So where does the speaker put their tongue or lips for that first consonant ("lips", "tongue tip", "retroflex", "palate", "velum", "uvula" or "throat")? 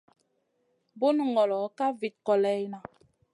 lips